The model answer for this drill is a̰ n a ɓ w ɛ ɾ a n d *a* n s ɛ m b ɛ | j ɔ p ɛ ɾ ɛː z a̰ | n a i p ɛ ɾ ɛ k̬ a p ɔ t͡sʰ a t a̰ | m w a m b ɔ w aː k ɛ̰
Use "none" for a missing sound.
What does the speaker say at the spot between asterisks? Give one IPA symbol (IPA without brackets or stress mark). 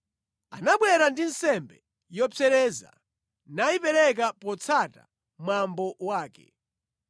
i